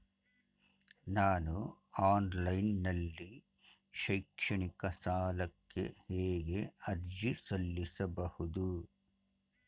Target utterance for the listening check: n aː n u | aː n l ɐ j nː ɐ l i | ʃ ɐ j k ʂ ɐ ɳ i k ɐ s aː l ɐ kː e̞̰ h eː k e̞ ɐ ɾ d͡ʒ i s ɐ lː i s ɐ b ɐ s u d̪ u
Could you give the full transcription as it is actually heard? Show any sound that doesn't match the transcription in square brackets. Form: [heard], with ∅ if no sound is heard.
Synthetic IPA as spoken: n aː n u | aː n l ɐ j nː ɐ [lː] i | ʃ ɐ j k ʂ ɐ ɳ i k ɐ s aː l ɐ kː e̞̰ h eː [ɡ] e̞ ɐ ɾ d͡ʒ i s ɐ lː i s ɐ b ɐ [h] u d̪ u